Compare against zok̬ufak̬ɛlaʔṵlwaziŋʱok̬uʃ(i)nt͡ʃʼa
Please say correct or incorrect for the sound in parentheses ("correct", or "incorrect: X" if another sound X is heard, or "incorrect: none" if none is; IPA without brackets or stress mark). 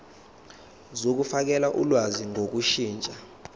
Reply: incorrect: iː